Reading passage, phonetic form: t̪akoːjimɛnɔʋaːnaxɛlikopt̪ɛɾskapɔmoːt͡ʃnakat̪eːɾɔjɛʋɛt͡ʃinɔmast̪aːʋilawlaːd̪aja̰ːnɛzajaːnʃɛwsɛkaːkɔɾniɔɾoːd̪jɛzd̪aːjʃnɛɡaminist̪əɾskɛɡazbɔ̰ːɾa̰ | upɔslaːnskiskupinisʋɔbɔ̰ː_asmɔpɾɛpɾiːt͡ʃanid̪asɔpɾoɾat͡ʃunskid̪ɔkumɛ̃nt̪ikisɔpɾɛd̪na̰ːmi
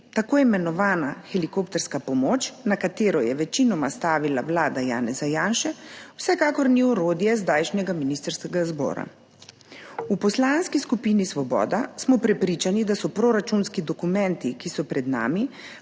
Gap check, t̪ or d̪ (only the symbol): d̪